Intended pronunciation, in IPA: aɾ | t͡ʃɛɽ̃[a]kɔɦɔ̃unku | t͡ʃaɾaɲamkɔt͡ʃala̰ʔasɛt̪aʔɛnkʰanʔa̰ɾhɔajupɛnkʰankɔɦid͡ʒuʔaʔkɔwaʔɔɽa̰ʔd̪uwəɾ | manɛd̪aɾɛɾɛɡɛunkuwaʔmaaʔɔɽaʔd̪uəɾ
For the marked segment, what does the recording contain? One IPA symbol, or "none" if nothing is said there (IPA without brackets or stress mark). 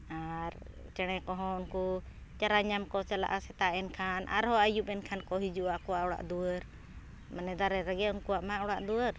ɛ